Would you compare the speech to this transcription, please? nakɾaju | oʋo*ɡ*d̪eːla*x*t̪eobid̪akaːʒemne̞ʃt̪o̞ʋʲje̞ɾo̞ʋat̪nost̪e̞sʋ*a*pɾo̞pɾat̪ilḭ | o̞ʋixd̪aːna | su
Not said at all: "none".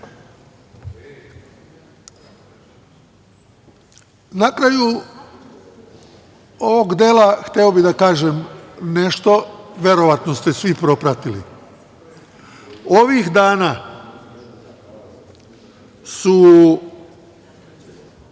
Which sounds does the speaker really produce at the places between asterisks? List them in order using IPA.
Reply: ɡ, x, i

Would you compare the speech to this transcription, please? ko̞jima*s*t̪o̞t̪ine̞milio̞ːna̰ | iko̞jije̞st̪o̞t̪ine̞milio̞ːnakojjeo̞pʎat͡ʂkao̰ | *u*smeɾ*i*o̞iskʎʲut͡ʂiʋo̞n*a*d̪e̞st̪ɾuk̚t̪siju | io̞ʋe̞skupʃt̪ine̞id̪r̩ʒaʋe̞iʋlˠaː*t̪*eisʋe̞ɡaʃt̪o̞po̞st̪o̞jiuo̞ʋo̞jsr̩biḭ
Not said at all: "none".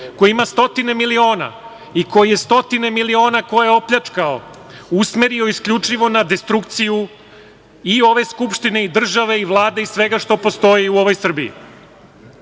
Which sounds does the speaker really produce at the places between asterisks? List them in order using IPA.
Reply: s, u, i, a, d̪

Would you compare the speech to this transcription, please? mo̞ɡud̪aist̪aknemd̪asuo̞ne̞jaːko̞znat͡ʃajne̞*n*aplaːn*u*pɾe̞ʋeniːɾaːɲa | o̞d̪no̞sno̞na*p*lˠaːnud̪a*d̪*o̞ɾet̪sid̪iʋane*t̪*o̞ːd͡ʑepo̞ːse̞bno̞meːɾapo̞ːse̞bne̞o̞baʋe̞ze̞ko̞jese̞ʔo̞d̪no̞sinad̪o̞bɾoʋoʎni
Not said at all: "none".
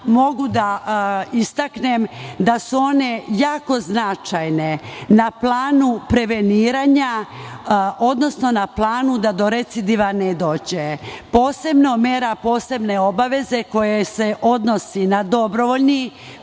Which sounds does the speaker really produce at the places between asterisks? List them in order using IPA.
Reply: n, u, p, d̪, d̪

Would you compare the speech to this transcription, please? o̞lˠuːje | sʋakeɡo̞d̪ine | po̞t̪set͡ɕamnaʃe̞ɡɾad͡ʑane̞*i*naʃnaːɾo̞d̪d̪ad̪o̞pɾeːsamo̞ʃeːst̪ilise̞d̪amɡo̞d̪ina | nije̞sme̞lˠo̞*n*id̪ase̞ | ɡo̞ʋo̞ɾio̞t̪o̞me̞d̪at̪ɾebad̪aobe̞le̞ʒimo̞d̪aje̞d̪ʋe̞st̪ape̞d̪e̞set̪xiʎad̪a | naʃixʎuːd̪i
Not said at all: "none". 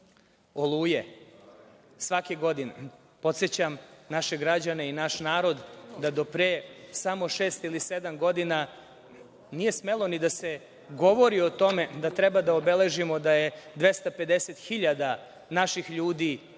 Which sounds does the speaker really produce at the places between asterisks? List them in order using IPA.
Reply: i, n

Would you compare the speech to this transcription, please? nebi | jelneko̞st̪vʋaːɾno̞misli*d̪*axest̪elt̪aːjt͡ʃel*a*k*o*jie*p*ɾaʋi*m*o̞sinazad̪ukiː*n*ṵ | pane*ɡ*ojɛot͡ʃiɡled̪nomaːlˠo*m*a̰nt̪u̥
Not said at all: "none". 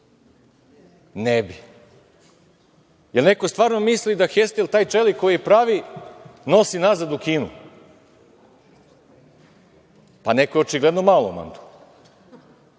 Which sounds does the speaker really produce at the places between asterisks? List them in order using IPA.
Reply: d̪, i, o, p, n, n, k, m

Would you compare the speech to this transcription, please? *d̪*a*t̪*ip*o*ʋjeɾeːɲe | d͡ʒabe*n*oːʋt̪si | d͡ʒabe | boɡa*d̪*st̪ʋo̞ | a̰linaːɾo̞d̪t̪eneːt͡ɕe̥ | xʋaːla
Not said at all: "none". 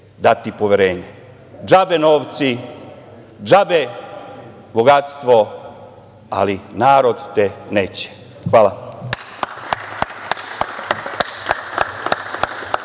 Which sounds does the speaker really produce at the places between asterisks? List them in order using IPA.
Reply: d̪, t̪, o, n, t̪

